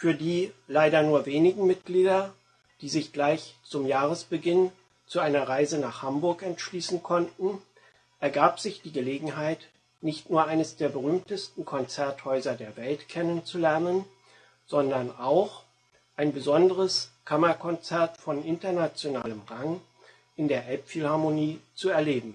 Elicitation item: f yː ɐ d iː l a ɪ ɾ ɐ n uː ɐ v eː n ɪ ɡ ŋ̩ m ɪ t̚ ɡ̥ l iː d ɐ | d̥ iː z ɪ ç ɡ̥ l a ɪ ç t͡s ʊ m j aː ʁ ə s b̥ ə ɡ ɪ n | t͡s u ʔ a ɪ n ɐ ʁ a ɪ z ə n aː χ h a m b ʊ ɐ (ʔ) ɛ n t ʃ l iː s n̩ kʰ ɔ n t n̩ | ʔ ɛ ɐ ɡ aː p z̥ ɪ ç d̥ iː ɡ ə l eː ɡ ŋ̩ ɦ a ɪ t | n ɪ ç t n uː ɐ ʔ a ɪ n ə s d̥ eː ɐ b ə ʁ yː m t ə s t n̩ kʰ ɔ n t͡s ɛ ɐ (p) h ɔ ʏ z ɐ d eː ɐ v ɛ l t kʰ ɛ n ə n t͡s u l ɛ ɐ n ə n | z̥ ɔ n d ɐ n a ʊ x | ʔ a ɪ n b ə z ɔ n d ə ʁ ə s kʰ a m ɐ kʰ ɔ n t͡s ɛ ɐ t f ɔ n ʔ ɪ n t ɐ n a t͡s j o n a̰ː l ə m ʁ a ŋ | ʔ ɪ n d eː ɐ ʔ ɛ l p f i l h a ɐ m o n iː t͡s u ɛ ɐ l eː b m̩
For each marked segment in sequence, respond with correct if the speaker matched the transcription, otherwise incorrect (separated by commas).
incorrect, incorrect